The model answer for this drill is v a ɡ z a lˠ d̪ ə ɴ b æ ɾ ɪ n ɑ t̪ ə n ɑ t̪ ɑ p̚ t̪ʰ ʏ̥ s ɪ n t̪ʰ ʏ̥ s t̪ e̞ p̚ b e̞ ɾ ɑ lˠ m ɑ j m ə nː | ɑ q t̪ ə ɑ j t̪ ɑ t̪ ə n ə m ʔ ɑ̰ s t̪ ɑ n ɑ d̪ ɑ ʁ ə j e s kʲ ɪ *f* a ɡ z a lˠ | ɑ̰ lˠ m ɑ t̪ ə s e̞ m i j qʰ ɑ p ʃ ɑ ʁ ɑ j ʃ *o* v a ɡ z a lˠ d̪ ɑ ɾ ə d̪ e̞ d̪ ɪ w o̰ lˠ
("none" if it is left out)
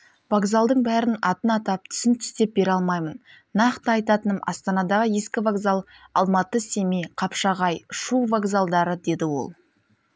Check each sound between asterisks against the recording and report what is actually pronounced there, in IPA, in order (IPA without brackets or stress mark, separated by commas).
v, u